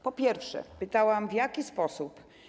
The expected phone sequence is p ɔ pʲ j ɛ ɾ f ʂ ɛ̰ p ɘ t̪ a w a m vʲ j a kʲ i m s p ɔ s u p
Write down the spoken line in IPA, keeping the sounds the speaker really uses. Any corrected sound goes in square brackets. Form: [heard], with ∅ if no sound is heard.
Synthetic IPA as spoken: p ɔ pʲ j ɛ ɾ f ʂ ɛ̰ p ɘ t̪ a w a m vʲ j a kʲ i [∅] s p ɔ s u p

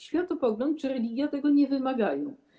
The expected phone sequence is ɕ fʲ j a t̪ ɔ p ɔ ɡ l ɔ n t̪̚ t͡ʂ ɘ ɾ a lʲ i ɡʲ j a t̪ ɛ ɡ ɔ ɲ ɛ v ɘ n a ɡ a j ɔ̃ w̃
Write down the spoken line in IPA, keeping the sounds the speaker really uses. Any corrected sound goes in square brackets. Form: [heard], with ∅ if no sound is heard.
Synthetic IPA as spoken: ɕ fʲ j a t̪ ɔ p ɔ ɡ l ɔ n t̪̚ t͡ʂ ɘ ɾ [ɛ] lʲ i ɡʲ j a t̪ ɛ ɡ ɔ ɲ ɛ v ɘ [m] a ɡ a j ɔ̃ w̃

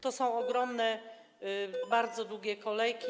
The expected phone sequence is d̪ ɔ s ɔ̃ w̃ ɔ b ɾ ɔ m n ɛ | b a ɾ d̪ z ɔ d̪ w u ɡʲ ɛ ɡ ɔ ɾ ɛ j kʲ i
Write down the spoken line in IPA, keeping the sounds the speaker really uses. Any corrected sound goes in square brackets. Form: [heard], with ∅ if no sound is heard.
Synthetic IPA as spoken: [t̪] ɔ s ɔ̃ w̃ ɔ [ɡ] ɾ ɔ m n ɛ | b a ɾ d̪ z ɔ d̪ w u ɡʲ ɛ [k] ɔ [l] ɛ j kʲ i

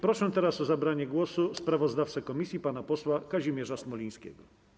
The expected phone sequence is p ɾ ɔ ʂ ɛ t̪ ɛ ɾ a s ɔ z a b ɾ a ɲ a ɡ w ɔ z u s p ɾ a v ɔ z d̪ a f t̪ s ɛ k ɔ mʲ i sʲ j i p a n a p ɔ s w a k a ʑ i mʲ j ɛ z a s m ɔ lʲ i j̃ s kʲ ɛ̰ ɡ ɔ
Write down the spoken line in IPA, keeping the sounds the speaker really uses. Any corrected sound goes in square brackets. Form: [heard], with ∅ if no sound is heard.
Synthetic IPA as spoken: p ɾ ɔ ʂ ɛ t̪ ɛ ɾ a s ɔ z a b ɾ a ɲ [ɛ] ɡ w ɔ [s] u s p ɾ a v ɔ z d̪ a f t̪ s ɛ k ɔ mʲ i sʲ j i p a n a p ɔ s w a k a ʑ i mʲ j ɛ [ʐ] a s m ɔ lʲ i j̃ s kʲ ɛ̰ ɡ ɔ

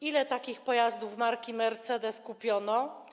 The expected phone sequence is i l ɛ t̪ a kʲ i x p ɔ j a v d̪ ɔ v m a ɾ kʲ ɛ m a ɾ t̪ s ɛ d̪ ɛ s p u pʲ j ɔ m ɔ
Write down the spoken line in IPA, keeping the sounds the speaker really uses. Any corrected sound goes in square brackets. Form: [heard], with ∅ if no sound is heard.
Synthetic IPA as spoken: i l ɛ t̪ a kʲ i x p ɔ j a [z] d̪ [u] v m a ɾ kʲ [i] m [ɛ] ɾ t̪ s ɛ d̪ ɛ s [k] u pʲ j ɔ [n] ɔ

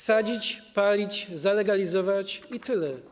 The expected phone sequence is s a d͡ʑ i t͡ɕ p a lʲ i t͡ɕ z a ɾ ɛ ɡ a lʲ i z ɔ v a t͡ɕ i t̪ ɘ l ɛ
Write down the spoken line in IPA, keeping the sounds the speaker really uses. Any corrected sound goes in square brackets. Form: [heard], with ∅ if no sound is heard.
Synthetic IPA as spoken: s a d͡ʑ i t͡ɕ p a lʲ i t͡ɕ z a [l] ɛ ɡ a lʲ i z ɔ v a t͡ɕ i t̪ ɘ l ɛ

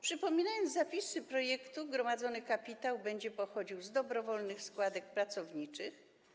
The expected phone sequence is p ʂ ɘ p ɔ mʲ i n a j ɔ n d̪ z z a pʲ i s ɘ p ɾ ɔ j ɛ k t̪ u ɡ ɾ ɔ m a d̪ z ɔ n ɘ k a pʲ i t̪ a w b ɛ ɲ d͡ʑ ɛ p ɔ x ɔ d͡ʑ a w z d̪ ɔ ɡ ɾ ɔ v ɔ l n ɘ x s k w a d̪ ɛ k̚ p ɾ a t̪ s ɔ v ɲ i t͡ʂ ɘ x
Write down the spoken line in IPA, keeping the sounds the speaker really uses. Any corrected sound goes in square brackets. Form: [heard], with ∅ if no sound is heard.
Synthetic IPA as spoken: p ʂ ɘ p ɔ mʲ i n a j ɔ n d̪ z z a pʲ i s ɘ p ɾ ɔ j ɛ k t̪ u ɡ ɾ ɔ m a d̪ z ɔ n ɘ k a pʲ i t̪ a w b ɛ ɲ d͡ʑ ɛ p ɔ x ɔ d͡ʑ [i] w z d̪ ɔ [b] ɾ ɔ v ɔ l n ɘ x s k w a d̪ ɛ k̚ p ɾ a t̪ s ɔ v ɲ i t͡ʂ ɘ x

